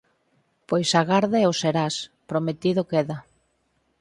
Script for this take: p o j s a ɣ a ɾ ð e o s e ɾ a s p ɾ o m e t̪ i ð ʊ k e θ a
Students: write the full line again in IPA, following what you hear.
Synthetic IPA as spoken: p o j s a ɣ a ɾ ð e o s e ɾ a s p ɾ o m e t̪ i ð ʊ k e ð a